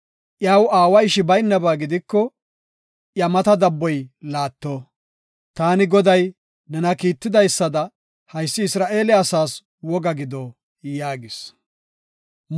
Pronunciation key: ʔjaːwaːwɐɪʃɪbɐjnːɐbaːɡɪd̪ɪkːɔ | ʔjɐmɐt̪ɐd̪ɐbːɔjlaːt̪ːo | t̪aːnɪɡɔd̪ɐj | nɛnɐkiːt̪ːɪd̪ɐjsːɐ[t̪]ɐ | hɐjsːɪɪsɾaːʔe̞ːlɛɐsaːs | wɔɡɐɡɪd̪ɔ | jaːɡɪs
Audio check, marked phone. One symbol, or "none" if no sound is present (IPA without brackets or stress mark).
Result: d̪